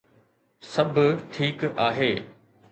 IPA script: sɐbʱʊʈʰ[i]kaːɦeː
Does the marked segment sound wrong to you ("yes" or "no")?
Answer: yes